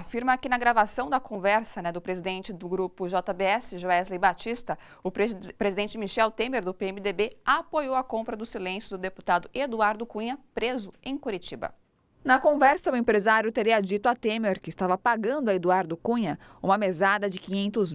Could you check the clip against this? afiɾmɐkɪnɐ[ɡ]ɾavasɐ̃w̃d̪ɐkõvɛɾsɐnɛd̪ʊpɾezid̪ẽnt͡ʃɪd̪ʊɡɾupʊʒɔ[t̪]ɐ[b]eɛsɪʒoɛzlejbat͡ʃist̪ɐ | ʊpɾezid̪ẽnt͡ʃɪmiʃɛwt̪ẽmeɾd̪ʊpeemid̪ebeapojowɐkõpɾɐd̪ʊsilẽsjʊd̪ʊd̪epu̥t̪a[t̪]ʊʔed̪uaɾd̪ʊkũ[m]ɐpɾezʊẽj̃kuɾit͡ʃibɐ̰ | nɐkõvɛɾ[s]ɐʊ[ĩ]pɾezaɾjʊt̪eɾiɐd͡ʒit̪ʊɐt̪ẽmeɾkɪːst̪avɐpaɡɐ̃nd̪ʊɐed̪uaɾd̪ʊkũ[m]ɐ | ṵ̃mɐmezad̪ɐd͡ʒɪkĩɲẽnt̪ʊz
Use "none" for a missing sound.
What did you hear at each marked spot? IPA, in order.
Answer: ɡ, t̪, b, d̪, ɲ, s, ẽ, ɲ

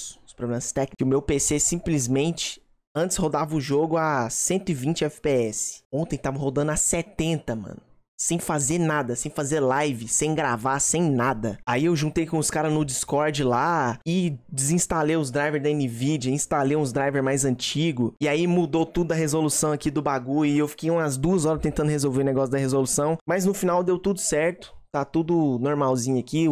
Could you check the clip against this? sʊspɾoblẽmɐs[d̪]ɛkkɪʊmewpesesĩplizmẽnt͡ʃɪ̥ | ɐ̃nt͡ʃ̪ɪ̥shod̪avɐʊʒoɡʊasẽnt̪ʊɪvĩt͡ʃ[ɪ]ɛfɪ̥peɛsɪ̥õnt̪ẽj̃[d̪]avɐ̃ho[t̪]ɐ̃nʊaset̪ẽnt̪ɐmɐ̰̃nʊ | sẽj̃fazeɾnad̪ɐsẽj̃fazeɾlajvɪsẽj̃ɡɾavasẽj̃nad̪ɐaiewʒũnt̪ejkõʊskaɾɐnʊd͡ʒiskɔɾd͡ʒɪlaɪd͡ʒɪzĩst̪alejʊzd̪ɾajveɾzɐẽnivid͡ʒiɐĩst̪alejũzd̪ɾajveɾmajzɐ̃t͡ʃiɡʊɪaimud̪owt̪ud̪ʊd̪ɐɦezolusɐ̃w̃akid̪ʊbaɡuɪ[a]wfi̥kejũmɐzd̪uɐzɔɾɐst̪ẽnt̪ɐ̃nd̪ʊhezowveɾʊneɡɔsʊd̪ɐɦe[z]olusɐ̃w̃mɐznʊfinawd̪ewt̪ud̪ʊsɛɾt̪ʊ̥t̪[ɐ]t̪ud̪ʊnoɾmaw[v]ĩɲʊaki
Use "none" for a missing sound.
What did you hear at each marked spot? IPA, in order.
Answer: t̪, ɪ, t̪, d̪, e, z, a, z

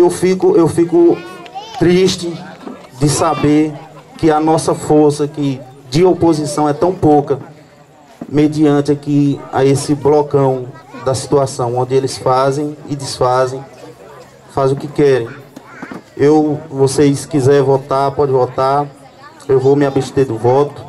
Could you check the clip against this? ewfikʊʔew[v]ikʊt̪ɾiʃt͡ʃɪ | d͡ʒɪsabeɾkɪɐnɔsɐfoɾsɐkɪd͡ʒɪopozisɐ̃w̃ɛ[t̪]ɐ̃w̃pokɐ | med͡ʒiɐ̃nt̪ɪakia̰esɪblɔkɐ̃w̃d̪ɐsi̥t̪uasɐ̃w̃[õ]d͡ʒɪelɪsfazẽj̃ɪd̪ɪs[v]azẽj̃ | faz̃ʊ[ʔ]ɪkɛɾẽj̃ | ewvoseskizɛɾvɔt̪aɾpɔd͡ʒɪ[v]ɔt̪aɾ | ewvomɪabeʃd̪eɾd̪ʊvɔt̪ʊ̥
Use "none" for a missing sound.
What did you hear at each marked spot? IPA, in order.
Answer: f, t̪, õ, f, k, v

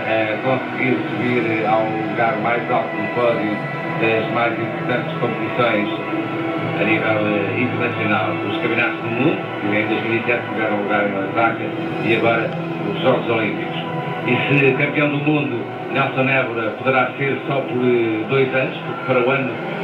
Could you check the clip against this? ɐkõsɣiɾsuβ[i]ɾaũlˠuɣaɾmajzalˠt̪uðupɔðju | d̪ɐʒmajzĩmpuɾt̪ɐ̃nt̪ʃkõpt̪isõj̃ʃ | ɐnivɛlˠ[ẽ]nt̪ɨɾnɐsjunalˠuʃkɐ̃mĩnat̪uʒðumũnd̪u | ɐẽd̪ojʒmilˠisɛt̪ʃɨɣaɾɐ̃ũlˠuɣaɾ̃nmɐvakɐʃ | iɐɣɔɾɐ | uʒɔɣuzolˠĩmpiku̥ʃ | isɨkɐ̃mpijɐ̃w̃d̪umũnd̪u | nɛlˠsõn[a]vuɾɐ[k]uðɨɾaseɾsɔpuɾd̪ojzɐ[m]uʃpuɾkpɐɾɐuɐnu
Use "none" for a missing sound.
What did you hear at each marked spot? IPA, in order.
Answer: i, ĩ, ɛ, p, n

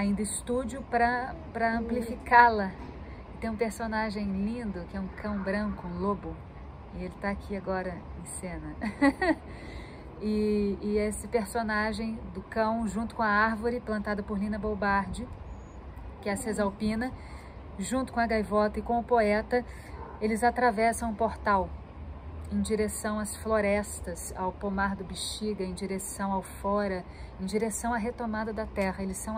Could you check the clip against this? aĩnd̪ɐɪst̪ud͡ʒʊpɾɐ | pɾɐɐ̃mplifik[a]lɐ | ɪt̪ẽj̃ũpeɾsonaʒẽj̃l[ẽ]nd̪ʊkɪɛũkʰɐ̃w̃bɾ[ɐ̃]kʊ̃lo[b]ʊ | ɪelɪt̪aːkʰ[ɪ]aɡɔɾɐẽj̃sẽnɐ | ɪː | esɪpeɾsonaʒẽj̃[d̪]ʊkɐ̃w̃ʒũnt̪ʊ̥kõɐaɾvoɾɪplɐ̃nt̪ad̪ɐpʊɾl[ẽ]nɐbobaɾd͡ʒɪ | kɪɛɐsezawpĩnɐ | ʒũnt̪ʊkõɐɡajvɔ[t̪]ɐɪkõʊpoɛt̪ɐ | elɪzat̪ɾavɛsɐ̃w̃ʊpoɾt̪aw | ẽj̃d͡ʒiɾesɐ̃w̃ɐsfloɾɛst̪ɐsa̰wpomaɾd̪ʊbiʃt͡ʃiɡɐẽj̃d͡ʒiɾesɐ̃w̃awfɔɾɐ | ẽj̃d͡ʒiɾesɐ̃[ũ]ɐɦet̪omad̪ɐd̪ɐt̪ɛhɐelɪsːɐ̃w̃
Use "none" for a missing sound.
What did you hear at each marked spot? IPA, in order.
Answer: a, ĩ, ɐ̃, b, i, d̪, ĩ, t̪, w̃

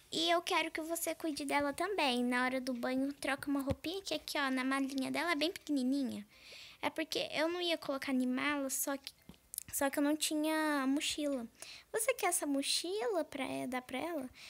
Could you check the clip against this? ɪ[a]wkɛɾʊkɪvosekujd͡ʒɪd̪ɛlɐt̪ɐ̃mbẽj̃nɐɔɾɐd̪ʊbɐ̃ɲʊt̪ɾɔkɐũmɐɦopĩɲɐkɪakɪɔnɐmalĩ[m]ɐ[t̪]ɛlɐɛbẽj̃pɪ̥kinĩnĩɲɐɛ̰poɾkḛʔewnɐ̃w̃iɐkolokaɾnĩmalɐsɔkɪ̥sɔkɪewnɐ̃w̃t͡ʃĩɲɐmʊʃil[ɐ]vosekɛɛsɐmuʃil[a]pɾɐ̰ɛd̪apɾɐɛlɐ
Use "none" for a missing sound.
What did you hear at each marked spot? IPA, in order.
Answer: e, ɲ, d̪, ɐ, ɐ

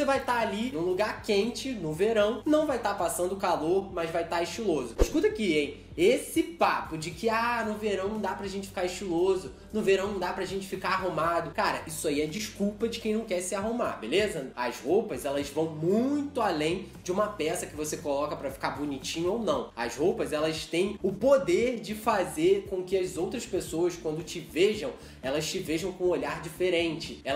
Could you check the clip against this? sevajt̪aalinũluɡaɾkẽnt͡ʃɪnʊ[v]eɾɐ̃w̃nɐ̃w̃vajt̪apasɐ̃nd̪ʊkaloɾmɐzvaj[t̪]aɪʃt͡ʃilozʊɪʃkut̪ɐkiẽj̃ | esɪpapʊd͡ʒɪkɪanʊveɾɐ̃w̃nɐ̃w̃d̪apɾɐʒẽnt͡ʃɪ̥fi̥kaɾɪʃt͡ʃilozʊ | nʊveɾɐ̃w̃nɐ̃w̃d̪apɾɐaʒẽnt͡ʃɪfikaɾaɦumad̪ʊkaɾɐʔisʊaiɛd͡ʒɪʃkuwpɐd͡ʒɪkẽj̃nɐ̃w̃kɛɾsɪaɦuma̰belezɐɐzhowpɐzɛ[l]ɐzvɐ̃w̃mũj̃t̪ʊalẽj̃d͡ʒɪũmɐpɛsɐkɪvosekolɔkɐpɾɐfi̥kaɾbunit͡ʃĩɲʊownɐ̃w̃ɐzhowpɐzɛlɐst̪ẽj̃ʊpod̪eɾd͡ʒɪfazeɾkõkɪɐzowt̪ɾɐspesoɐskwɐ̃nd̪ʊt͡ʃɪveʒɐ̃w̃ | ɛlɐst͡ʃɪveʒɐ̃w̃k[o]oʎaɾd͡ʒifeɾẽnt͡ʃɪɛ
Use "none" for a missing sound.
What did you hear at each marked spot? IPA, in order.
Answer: v, t̪, l, õ

